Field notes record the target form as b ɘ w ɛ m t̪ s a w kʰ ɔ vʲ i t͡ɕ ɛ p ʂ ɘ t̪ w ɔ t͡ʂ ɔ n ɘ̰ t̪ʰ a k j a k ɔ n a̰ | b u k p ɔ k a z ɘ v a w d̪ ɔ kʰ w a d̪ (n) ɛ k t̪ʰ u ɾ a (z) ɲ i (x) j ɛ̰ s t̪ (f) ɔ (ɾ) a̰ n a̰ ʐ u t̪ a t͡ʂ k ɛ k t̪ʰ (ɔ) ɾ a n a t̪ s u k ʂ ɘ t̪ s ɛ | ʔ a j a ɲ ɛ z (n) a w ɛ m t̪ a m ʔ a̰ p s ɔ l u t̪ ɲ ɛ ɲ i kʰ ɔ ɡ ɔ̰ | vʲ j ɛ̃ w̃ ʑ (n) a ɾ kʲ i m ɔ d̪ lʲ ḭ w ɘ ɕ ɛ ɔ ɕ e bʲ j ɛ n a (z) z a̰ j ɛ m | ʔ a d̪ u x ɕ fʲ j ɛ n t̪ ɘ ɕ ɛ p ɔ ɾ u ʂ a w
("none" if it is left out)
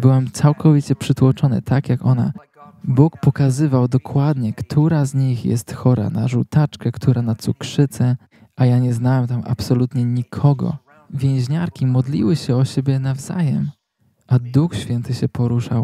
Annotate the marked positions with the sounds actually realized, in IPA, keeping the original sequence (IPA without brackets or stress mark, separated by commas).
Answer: ɲ, z, x, x, ɾ, u, n, ɲ, v